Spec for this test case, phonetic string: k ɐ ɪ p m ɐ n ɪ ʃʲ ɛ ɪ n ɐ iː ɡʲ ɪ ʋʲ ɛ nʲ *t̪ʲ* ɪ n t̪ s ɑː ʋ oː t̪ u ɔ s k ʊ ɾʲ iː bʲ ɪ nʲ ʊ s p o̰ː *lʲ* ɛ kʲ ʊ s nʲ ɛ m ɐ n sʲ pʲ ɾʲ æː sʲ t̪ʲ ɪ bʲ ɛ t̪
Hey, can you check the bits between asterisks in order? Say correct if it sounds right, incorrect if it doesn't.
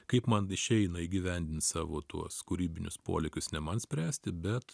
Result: incorrect: d̪ʲ, correct

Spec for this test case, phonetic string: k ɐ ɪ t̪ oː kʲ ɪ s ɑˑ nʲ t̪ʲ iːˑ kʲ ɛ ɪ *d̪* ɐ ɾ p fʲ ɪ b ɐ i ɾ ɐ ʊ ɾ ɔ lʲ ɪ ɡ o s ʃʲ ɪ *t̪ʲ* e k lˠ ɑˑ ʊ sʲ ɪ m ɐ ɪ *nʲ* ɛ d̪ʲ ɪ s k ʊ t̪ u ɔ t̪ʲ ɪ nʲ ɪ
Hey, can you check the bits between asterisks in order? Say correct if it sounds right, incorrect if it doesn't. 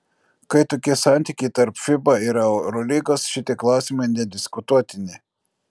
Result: incorrect: t̪, correct, correct

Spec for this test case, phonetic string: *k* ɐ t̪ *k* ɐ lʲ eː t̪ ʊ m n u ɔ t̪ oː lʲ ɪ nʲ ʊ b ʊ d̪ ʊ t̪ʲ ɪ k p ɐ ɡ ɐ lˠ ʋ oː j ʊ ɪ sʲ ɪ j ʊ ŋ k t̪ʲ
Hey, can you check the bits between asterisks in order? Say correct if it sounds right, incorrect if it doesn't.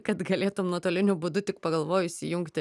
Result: correct, incorrect: ɡ

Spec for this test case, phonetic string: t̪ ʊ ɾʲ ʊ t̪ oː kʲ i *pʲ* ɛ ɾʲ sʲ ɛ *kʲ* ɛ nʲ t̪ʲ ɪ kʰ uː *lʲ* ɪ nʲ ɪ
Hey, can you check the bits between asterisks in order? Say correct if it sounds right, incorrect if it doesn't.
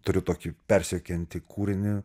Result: correct, correct, incorrect: ɾʲ

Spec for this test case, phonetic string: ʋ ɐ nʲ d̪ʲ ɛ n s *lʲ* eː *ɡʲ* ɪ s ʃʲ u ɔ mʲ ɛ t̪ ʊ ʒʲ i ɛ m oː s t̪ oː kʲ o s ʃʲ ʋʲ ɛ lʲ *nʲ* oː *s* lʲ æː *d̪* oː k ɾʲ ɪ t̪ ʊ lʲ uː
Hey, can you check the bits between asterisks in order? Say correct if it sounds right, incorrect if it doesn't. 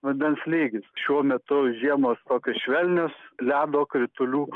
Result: correct, correct, correct, correct, correct

